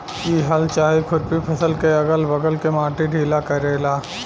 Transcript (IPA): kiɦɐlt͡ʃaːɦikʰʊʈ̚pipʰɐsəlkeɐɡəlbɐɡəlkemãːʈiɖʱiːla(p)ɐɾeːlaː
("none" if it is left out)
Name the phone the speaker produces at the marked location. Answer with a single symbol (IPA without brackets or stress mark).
k